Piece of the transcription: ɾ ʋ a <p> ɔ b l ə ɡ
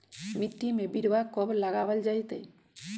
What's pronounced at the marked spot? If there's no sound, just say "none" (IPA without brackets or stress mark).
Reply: k